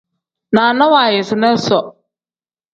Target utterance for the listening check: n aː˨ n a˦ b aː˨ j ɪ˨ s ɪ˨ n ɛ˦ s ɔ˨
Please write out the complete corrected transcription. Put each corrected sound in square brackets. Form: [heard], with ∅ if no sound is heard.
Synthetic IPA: n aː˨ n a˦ [w] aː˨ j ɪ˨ s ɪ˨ n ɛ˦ s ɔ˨